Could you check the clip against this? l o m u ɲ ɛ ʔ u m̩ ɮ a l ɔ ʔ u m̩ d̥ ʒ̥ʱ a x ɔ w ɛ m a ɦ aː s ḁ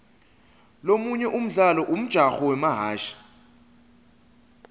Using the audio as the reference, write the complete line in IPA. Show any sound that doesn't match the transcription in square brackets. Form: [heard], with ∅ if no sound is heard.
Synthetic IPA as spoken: l o m u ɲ ɛ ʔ u m̩ ɮ a l ɔ ʔ u m̩ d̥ ʒ̥ʱ a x ɔ w ɛ m a ɦ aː [ʃ] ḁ